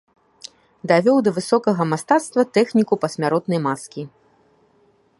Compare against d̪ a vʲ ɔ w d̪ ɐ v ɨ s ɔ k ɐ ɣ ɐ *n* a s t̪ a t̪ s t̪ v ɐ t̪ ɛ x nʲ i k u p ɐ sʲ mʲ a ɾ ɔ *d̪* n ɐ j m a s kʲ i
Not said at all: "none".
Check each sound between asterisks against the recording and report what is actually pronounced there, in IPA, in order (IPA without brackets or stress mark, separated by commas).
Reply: m, t̪